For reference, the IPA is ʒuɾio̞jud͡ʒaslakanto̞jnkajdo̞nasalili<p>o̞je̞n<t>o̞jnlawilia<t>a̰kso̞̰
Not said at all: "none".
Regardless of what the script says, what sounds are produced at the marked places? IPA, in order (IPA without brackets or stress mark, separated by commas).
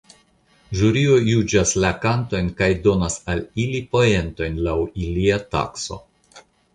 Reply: p, t, t